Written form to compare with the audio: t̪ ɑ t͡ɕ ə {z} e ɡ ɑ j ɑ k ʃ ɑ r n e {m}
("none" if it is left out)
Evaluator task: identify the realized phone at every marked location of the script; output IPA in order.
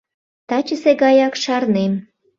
s, m

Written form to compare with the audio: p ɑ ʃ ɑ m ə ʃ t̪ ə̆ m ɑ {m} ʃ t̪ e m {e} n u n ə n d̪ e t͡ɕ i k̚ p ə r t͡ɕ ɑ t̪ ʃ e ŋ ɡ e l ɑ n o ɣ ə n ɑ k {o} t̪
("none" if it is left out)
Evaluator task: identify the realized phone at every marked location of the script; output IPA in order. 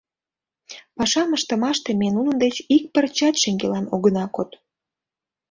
none, e, o

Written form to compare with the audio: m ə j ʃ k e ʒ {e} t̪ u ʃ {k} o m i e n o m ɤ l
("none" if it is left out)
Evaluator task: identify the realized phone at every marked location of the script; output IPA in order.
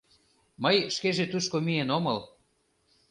e, k

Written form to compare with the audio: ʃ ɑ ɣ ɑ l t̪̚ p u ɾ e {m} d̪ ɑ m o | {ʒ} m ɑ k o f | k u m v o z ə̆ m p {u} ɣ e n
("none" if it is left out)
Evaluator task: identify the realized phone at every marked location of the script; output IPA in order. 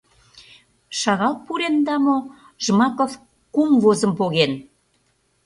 n, ʒ, o

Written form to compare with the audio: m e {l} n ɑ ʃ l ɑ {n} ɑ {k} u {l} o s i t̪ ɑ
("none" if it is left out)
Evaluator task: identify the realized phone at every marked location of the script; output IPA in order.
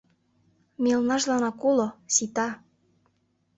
l, n, k, l

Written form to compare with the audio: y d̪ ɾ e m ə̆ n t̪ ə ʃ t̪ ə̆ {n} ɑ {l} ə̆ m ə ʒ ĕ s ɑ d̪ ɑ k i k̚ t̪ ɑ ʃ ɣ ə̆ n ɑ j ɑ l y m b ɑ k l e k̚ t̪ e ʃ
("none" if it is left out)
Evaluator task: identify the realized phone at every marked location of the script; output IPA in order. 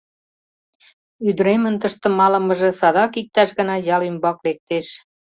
m, l

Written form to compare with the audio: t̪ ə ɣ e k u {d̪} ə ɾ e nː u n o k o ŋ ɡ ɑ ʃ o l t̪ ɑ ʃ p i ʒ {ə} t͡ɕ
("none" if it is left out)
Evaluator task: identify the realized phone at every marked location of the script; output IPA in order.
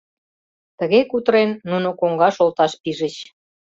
t̪, ə

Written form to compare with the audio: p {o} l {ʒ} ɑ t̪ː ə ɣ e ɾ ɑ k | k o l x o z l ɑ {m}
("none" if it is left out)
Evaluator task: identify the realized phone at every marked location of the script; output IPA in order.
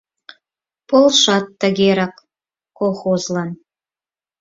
o, ʃ, n

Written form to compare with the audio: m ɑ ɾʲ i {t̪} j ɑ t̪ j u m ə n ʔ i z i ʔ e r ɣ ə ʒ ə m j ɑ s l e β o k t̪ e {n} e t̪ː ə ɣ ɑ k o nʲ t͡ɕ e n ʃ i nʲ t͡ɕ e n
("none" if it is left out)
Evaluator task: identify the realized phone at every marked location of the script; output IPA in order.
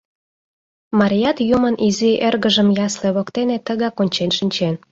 none, n

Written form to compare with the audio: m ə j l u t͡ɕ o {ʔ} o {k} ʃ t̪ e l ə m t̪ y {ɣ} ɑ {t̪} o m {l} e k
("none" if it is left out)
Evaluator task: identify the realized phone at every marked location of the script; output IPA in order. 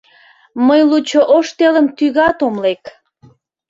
ʔ, none, ɣ, t̪, l

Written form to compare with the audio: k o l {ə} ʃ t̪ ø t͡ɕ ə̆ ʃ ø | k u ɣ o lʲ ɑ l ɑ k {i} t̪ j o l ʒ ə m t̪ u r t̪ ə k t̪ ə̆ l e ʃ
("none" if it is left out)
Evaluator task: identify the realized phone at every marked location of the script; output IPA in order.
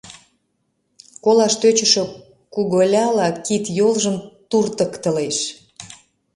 ɑ, i

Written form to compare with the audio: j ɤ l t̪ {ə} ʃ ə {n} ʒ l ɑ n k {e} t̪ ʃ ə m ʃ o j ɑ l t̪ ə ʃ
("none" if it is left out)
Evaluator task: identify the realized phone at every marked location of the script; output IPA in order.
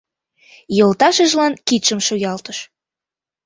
ɑ, none, i

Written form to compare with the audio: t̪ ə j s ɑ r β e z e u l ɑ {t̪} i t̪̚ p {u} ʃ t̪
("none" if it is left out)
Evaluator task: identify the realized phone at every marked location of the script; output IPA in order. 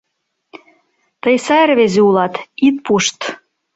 t̪, u

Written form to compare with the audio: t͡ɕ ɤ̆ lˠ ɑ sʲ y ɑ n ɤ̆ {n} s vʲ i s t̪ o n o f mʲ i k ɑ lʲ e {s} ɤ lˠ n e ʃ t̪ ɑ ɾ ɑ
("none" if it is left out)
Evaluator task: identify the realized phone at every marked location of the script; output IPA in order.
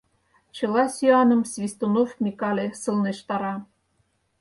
m, s

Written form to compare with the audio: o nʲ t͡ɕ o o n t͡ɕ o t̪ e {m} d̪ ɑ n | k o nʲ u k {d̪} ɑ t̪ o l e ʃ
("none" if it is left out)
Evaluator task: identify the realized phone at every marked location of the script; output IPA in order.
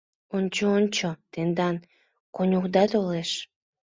n, d̪

